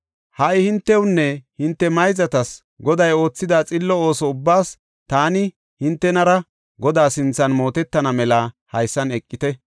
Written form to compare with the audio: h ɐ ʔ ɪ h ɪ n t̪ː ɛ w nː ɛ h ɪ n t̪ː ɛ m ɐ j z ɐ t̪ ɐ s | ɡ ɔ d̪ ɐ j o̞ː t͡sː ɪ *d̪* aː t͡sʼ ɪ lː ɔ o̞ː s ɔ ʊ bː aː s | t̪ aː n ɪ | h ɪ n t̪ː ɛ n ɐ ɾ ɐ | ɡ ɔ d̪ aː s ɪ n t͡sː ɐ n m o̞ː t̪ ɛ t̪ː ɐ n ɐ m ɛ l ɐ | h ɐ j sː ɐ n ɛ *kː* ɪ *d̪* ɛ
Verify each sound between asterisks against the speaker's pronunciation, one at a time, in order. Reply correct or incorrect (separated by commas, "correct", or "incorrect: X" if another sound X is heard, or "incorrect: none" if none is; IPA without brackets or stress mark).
correct, incorrect: kʼː, incorrect: t̪